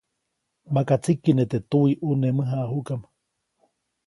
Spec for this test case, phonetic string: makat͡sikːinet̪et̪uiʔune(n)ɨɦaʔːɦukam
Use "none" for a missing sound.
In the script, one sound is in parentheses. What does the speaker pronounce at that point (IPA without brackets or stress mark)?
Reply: m